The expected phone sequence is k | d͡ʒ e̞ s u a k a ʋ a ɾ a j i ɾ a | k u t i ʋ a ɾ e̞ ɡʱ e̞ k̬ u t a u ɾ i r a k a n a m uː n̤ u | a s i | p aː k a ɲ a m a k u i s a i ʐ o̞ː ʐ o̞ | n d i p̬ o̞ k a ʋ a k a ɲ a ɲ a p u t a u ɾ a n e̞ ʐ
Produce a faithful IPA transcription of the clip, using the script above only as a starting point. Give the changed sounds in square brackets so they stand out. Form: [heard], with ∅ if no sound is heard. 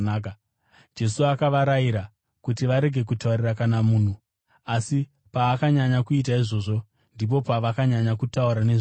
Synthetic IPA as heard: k | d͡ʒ e̞ s u a k a ʋ a ɾ a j i ɾ a | k u t i ʋ a ɾ e̞ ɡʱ e̞ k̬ u t a u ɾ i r a k a n a m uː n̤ u | a s i | p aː k a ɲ a [ɲ] a k u i [t] a i ʐ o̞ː ʐ o̞ | n d i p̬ o̞ [p] a ʋ a k a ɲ a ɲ a [k] u t a u ɾ a n e̞ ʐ